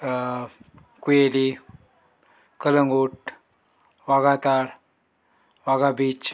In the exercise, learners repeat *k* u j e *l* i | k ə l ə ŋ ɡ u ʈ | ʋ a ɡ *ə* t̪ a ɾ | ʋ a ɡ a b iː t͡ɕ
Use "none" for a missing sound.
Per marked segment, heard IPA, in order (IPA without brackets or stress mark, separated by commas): k, l, a